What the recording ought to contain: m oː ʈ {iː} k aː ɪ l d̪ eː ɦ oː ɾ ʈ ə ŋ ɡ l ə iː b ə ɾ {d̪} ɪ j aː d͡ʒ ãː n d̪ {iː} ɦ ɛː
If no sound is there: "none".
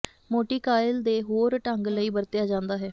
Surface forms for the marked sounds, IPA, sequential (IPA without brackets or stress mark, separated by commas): iː, t̪, aː